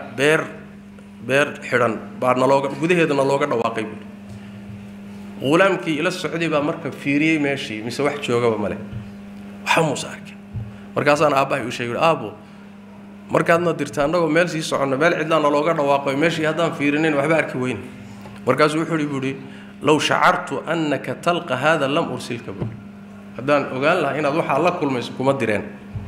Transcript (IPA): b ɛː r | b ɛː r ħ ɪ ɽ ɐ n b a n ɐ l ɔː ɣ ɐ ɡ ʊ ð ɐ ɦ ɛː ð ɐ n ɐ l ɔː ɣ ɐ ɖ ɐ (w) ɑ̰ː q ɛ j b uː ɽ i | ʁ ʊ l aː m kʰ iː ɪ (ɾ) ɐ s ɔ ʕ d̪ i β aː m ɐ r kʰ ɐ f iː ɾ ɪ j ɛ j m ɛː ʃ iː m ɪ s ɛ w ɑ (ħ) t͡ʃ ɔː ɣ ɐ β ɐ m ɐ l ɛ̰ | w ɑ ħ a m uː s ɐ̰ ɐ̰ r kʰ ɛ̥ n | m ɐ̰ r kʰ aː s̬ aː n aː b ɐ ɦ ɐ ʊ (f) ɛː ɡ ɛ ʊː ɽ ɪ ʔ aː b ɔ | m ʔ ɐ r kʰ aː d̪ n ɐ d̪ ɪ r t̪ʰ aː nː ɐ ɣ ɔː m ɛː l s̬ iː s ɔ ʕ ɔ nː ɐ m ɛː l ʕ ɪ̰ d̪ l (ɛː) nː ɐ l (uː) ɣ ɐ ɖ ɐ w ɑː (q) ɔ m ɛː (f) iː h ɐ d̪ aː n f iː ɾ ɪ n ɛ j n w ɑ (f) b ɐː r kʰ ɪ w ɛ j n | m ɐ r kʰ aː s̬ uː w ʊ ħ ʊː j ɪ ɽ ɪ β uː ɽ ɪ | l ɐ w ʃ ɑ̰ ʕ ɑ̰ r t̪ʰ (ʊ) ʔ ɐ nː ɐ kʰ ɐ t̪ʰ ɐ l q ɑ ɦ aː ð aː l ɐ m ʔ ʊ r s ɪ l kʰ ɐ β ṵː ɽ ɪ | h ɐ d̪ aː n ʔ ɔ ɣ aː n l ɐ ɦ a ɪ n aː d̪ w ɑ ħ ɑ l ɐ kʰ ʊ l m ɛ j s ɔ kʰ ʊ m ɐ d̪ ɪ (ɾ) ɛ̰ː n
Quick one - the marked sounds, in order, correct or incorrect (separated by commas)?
correct, incorrect, correct, incorrect, incorrect, incorrect, correct, incorrect, incorrect, correct, correct